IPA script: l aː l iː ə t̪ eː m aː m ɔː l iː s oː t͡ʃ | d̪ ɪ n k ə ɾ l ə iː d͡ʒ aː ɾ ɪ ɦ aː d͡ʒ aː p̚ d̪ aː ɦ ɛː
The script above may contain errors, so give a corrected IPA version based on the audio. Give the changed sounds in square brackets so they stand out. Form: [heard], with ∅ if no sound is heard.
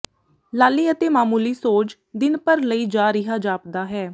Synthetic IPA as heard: l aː l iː ə t̪ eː m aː m [uː] l iː s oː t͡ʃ | d̪ ɪ n [p] ə ɾ l ə iː d͡ʒ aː ɾ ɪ ɦ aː d͡ʒ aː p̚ d̪ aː ɦ ɛː